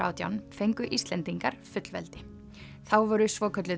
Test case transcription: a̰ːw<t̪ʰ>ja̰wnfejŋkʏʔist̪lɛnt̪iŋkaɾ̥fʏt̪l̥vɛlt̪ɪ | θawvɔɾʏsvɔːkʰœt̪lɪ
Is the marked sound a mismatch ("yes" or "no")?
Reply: yes